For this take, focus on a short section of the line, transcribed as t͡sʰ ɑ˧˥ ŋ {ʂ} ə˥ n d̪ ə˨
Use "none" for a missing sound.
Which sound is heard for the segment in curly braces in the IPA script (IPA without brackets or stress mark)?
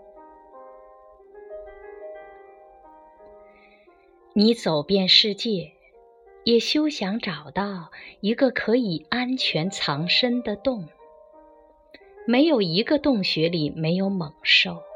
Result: ʂ